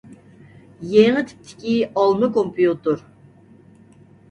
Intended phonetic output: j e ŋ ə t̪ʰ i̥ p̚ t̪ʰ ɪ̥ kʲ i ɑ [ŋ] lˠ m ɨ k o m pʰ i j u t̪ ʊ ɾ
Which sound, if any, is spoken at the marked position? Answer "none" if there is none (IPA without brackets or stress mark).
none